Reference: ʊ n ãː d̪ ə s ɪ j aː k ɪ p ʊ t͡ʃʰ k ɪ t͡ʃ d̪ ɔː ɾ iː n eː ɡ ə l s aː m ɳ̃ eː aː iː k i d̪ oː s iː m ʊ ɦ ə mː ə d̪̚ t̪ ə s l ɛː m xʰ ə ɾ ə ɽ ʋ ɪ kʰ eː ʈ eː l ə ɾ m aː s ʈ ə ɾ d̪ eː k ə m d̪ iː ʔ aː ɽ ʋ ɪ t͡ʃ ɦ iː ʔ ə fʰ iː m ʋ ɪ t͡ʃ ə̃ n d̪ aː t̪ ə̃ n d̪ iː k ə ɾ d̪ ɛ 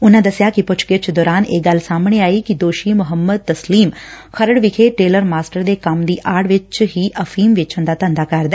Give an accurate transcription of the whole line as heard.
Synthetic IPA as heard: ʊ n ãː d̪ ə s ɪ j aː k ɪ p ʊ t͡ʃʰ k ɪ t͡ʃ d̪ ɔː ɾ aː n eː ɡ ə l s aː m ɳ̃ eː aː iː k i d̪ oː ʃ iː m ʊ ɦ ə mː ə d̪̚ t̪ ə s l iː m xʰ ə ɾ ə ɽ ʋ ɪ kʰ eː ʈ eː l ə ɾ m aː s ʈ ə ɾ d̪ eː k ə m d̪ iː ʔ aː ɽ ʋ ɪ t͡ʃ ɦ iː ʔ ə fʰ iː m ʋ ɪ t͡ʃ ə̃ n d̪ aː t̪ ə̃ n d̪ aː k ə ɾ d̪ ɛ